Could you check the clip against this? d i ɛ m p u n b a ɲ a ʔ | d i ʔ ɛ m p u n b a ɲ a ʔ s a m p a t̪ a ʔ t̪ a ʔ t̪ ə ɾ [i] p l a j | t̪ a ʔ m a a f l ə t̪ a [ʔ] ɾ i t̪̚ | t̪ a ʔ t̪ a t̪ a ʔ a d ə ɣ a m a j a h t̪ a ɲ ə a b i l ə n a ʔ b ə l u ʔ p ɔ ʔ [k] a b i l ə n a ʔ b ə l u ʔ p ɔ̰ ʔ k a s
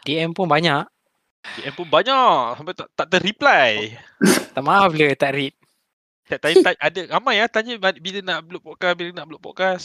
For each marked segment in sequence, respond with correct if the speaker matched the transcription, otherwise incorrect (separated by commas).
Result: correct, correct, correct